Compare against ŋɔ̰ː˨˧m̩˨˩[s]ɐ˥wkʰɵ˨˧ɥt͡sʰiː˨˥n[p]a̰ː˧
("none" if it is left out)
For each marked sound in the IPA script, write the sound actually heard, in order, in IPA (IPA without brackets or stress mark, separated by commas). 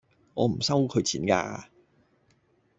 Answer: s, k